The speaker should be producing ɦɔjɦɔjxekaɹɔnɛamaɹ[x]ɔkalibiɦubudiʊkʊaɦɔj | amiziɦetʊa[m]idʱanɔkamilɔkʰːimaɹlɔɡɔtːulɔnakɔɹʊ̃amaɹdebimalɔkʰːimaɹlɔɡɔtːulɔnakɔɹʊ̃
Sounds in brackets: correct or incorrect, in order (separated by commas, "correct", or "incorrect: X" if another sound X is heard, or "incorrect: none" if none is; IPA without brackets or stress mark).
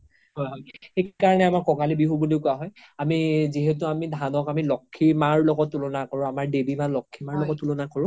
incorrect: k, correct